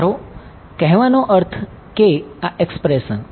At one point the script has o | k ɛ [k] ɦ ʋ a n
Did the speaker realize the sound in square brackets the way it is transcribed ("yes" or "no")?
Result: no